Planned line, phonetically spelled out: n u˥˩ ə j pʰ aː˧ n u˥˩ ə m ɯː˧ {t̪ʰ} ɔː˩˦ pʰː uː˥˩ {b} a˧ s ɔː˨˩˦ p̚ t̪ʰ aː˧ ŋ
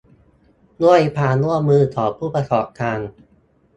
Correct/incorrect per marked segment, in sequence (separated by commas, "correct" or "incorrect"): correct, incorrect